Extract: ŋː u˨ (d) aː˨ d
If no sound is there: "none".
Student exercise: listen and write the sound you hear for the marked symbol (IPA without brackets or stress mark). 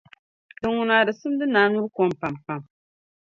n